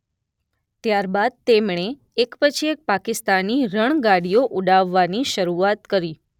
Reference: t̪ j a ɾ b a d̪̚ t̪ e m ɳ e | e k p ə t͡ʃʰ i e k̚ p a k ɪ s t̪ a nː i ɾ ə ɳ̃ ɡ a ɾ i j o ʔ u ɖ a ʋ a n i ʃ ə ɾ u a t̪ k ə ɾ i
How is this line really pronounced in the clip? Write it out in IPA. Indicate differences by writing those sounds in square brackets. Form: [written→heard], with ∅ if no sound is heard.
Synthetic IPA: t̪ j a ɾ b a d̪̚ t̪ e m ɳ e | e k p ə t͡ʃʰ i e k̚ p a k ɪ s t̪ a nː i ɾ ə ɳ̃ ɡ a [ɾ→ɽ] i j o ʔ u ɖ a [ʋ→ʋː] a n i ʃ ə ɾ u a t̪ k ə ɾ i

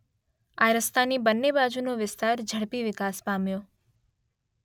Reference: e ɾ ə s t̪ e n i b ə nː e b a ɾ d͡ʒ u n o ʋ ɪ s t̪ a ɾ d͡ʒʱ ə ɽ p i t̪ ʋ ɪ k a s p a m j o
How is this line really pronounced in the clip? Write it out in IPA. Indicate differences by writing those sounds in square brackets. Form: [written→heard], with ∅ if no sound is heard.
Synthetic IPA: [e→a] ɾ ə s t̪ [e→a] n i b ə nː e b a [ɾ→∅] d͡ʒ u n o ʋ ɪ s t̪ a ɾ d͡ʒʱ ə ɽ p i [t̪→∅] ʋ ɪ k a s p a m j o

